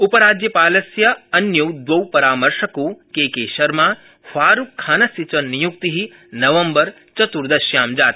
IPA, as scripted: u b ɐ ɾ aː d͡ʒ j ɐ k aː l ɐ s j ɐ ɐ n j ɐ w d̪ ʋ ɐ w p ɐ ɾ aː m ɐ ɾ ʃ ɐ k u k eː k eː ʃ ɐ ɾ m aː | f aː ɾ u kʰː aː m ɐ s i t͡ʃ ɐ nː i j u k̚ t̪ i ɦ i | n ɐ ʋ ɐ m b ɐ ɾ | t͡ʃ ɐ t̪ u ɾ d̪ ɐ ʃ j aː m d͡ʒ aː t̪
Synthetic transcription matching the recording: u p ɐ ɾ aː d͡ʒ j ɐ p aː l ɐ s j ɐ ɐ n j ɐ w d̪ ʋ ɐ w p ɐ ɾ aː m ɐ ɾ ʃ ɐ k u k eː k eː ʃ ɐ ɾ m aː | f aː ɾ u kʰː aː n ɐ s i t͡ʃ ɐ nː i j u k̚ t̪ i ɦ i | n ɐ ʋ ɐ m b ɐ ɾ | t͡ʃ ɐ t̪ u ɾ d̪ ɐ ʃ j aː m d͡ʒ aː t̪